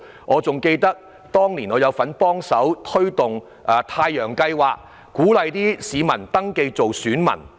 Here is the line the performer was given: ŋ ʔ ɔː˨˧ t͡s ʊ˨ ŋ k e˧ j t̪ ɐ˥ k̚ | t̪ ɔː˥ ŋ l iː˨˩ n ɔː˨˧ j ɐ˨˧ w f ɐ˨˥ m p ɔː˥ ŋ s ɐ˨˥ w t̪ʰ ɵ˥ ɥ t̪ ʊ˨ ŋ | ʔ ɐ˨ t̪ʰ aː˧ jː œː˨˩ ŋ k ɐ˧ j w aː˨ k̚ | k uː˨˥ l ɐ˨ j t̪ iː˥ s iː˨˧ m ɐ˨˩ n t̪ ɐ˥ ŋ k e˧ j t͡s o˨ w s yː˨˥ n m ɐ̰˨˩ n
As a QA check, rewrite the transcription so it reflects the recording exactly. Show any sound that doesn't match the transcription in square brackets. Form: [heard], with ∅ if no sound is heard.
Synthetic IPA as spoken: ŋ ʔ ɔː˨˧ t͡s ʊ˨ ŋ k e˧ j t̪ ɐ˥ k̚ | t̪ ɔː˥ ŋ l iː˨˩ n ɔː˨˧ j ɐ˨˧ w f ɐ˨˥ [n] p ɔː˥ ŋ s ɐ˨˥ w t̪ʰ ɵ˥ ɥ t̪ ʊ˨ ŋ | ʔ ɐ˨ t̪ʰ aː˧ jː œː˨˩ ŋ k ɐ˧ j w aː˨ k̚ | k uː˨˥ l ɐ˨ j t̪ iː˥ s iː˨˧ m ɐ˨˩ n t̪ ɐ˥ ŋ k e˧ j t͡s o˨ w s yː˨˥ n m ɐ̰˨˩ n